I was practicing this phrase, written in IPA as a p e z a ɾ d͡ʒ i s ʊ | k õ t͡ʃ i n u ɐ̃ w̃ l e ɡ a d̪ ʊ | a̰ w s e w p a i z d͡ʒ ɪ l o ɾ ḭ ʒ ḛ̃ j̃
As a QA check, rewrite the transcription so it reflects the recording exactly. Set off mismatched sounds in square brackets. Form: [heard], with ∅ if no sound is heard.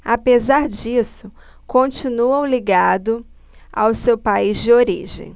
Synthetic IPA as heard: a p e z a ɾ d͡ʒ i s ʊ | k õ t͡ʃ i n u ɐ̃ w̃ l [i] ɡ a d̪ ʊ | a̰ w s e w p a i z d͡ʒ ɪ [∅] o ɾ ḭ ʒ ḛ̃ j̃